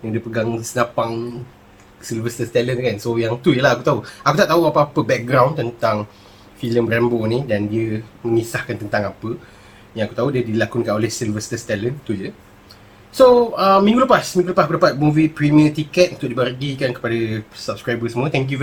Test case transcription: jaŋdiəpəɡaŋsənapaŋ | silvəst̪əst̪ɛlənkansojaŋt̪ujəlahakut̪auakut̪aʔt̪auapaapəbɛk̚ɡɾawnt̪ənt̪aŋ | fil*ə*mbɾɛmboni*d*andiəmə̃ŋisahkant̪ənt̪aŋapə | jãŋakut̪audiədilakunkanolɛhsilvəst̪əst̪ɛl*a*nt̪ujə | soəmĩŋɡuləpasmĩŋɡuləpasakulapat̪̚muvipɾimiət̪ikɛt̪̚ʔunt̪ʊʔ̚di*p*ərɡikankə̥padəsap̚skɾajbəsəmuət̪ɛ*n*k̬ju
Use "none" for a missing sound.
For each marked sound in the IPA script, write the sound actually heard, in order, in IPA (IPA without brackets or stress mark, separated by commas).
ə, d, ə, b, ŋ